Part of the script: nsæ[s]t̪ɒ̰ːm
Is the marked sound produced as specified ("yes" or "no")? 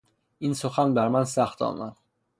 no